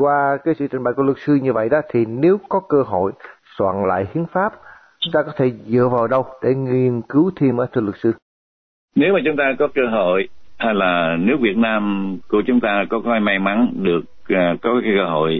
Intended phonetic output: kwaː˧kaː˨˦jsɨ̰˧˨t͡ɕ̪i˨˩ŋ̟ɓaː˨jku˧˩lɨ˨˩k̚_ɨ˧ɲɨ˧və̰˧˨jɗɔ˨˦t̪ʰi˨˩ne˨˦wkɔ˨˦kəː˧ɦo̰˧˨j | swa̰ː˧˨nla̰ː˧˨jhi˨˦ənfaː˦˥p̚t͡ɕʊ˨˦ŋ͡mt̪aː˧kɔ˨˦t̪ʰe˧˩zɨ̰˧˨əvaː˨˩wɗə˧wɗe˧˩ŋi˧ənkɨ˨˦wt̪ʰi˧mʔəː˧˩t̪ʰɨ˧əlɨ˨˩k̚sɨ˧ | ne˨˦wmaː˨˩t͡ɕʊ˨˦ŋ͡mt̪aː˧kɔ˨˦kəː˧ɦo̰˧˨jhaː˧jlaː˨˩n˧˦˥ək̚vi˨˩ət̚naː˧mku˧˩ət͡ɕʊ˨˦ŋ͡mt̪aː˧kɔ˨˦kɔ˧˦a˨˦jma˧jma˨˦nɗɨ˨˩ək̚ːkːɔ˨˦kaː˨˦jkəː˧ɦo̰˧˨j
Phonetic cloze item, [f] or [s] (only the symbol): s